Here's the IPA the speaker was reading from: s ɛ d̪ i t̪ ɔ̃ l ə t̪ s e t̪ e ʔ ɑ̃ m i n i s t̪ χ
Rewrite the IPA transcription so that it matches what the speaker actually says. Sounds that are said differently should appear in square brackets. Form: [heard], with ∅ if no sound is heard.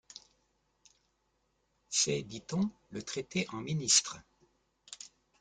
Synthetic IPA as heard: s ɛ d̪ i t̪ ɔ̃ l ə t̪ [χ] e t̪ e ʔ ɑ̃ m i n i s t̪ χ

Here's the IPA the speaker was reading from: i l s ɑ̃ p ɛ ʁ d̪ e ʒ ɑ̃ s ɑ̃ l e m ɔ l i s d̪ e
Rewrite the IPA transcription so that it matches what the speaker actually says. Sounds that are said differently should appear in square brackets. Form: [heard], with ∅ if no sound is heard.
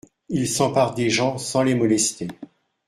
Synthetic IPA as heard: i l s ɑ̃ p [a] ʁ d̪ e ʒ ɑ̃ s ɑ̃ l e m ɔ l [ɛ] s [t̪] e

